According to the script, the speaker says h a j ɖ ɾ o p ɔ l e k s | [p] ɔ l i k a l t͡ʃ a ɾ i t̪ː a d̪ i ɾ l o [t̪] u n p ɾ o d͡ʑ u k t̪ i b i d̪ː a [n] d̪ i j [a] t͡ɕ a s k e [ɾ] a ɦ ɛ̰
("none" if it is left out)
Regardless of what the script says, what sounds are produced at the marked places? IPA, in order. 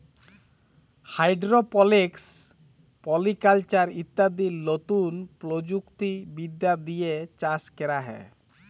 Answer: p, t̪, none, e, ɾ

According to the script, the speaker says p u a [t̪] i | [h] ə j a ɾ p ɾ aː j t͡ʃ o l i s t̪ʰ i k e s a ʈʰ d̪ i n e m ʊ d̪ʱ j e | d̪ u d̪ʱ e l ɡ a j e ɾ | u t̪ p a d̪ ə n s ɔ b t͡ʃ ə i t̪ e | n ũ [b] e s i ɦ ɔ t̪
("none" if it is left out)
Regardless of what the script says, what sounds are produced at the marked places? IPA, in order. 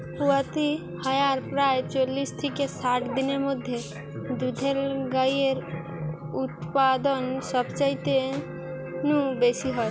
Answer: t̪, h, b

